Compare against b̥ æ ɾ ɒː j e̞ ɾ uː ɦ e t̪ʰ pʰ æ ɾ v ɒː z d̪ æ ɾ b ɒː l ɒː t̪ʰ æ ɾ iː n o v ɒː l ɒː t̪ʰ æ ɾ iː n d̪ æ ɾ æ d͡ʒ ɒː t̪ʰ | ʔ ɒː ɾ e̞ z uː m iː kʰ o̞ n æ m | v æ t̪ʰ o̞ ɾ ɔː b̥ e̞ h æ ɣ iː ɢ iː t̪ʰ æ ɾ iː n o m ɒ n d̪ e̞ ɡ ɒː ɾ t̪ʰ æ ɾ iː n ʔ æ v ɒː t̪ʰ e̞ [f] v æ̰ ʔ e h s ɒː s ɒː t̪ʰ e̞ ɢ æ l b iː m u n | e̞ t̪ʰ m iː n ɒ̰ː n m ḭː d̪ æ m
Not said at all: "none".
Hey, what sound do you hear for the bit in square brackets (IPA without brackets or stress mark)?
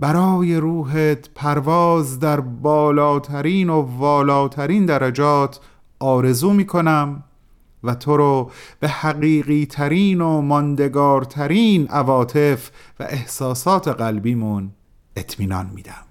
f